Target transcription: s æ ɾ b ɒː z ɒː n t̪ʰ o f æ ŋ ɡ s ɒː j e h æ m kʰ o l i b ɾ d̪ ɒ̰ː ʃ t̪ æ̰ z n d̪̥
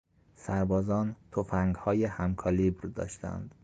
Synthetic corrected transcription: s æ ɾ b ɒː z ɒː n t̪ʰ o f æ ŋ ɡ h ɒː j e h æ m kʰ ɒ l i b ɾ d̪ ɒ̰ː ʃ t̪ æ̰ n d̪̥

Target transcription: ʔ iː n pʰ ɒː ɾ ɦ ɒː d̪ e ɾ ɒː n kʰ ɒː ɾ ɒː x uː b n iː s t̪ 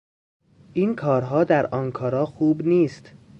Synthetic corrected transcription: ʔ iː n kʰ ɒː ɾ ɦ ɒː d̪ æ ɾ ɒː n kʰ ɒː ɾ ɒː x uː b n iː s t̪

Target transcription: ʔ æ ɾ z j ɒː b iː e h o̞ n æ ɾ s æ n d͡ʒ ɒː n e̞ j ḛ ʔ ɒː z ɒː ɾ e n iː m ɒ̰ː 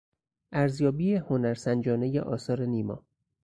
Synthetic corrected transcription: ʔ æ ɾ z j ɒː b iː e h o̞ n æ ɾ s æ n d͡ʒ ɒː n e̞ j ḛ ʔ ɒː s ɒː ɾ e n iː m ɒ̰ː

